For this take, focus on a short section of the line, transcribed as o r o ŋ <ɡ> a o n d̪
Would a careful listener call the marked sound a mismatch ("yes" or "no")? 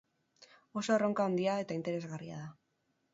yes